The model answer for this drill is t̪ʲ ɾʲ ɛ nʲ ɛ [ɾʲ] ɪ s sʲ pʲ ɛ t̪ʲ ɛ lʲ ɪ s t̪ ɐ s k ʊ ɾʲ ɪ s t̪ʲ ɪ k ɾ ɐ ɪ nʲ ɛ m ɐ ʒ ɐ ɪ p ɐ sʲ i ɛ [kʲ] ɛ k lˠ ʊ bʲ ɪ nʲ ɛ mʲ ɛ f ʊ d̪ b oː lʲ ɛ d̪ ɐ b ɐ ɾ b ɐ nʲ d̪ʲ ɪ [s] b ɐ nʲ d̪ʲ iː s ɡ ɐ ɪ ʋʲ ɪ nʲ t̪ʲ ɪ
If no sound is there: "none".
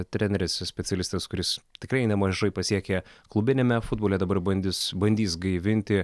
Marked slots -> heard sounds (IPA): ɾʲ, kʲ, s

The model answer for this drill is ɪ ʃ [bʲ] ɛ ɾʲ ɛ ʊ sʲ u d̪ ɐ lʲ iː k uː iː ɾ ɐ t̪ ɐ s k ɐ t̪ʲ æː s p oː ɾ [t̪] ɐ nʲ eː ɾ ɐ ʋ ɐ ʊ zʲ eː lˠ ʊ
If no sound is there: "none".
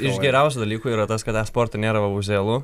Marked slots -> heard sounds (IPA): ɡʲ, t̪

